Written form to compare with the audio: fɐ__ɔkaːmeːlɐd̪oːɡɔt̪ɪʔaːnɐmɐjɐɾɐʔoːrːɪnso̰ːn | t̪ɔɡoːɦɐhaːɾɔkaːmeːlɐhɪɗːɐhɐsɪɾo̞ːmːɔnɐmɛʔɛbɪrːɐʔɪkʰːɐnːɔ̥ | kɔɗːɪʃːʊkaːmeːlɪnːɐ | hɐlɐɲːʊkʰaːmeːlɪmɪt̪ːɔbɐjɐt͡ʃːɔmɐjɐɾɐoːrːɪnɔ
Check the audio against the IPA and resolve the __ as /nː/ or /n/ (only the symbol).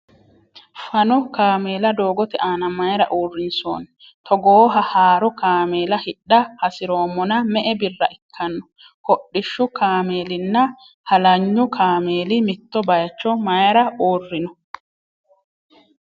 n